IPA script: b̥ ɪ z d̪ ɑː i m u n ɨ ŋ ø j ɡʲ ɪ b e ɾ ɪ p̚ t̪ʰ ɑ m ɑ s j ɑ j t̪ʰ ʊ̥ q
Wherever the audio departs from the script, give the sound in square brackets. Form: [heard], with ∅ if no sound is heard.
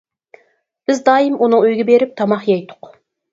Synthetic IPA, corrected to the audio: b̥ ɪ z d̪ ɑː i m u n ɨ ŋ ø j ɡʲ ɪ b e ɾ ɪ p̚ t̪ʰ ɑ m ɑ [χ] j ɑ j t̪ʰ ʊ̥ q